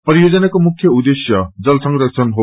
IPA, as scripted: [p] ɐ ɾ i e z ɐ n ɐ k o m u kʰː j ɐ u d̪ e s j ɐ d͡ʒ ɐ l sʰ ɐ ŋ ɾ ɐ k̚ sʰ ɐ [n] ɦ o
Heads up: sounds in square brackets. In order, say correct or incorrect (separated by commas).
correct, correct